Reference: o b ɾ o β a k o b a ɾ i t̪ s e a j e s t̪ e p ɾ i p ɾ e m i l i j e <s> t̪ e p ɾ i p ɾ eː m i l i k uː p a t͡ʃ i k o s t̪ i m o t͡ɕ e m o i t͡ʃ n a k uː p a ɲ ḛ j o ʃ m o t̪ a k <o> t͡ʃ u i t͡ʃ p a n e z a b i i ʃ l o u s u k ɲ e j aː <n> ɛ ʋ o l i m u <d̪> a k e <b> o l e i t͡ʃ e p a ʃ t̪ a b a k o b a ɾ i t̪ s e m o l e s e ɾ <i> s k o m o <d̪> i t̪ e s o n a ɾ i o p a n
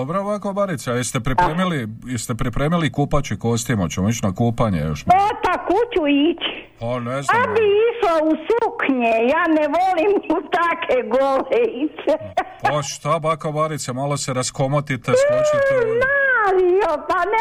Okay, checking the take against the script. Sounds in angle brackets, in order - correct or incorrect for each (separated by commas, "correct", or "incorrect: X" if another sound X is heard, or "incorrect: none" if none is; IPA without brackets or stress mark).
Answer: correct, incorrect: u, correct, incorrect: t̪, incorrect: ɡ, incorrect: a, incorrect: t̪